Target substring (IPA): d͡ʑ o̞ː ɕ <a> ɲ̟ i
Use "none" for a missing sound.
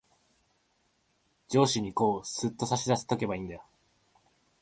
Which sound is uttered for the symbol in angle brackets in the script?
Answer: i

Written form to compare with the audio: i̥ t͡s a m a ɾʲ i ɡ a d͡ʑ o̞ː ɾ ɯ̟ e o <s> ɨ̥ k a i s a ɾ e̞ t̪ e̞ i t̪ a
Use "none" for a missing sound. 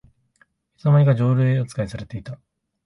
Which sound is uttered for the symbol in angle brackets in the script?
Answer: t͡s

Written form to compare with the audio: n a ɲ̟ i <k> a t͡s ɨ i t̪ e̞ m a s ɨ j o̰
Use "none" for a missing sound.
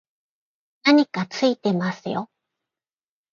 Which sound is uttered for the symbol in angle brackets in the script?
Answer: k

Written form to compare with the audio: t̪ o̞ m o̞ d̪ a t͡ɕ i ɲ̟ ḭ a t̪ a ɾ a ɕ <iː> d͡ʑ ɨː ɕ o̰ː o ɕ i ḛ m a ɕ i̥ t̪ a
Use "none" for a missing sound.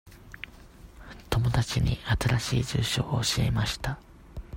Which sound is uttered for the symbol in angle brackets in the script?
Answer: iː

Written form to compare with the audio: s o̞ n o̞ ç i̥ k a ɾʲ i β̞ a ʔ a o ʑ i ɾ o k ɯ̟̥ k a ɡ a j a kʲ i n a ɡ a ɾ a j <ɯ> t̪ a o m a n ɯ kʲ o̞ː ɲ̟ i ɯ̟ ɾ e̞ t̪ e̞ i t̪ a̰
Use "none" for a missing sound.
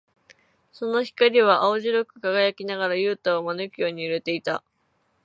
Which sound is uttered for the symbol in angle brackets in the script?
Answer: ɯː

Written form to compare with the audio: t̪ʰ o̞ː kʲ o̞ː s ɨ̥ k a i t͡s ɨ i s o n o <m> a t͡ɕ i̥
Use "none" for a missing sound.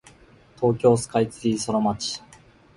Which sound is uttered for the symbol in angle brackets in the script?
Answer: m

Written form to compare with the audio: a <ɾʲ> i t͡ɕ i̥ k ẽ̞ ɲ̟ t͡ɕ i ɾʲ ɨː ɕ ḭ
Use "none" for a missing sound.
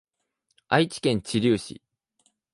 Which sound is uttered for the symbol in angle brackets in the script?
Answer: none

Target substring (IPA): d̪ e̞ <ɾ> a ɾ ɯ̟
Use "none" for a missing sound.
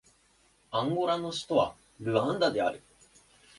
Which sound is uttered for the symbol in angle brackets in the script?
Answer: none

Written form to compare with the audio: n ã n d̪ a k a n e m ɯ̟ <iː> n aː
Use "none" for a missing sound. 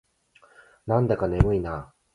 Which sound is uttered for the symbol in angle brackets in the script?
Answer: i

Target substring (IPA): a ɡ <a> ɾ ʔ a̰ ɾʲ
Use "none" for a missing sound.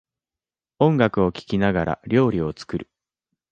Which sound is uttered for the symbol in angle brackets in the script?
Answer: a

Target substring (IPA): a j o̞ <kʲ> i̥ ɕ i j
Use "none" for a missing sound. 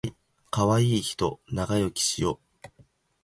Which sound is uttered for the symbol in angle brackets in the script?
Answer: kʲ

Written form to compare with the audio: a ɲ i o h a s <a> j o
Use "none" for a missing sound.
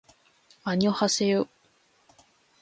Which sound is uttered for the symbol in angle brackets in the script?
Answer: e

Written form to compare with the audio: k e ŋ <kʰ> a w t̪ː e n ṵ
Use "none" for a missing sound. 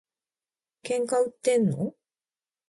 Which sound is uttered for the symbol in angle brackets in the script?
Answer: k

